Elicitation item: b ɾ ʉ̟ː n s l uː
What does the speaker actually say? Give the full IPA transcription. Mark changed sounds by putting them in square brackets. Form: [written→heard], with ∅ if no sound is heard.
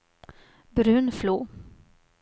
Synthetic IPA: b ɾ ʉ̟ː n [s→f] l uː